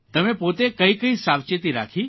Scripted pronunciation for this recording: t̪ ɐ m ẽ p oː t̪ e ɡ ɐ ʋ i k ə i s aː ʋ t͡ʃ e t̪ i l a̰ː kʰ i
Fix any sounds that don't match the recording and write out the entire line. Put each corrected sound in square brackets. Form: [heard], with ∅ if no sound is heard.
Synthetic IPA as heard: t̪ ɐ m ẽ p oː t̪ e [k] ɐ [∅] i k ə i s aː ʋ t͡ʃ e t̪ i [ɾ] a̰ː kʰ i